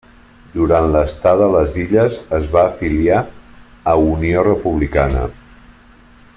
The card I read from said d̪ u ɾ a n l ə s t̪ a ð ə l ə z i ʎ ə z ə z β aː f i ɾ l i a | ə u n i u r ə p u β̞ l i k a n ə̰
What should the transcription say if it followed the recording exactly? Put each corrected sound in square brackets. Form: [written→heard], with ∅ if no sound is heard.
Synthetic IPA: d̪ u ɾ a n l ə s t̪ a ð ə l ə z i ʎ ə z ə z β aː f i [ɾ→∅] l i a | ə u n i [u→o] r ə p u β̞ l i k a n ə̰